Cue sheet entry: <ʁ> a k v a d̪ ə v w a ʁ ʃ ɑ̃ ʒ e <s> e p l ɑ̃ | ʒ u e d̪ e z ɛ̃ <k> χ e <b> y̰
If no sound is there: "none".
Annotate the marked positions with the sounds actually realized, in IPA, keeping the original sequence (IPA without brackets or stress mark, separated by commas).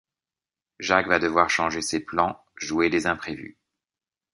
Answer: ʒ, s, p, v